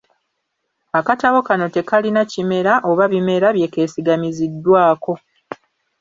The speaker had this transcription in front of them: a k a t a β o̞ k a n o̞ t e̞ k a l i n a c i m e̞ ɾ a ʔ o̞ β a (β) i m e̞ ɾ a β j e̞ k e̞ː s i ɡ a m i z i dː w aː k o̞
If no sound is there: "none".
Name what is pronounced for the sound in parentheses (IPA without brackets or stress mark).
β